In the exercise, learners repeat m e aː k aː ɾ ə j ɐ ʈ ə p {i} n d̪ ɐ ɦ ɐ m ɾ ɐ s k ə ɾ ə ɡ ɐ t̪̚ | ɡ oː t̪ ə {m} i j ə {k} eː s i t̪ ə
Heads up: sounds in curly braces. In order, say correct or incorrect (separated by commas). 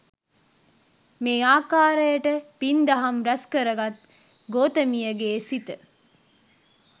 correct, correct, incorrect